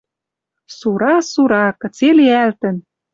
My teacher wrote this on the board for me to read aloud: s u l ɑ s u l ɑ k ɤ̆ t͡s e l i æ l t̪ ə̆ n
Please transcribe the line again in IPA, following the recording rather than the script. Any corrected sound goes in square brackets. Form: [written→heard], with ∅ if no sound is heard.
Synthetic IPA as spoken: s u [l→ɾ] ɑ s u [l→ɾ] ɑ k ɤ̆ t͡s e l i æ l t̪ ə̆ n